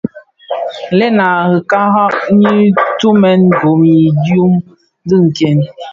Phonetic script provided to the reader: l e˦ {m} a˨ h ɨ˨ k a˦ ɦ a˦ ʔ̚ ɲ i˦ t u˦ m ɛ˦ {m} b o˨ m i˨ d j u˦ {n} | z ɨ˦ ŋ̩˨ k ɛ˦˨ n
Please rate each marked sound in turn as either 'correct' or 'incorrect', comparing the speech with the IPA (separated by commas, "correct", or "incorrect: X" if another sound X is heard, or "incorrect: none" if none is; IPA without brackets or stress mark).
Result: incorrect: n, incorrect: n, incorrect: m